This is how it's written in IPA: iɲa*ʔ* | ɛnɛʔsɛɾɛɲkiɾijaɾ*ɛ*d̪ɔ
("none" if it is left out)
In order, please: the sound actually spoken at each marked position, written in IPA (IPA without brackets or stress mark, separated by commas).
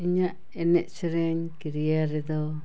ʔ, ɛ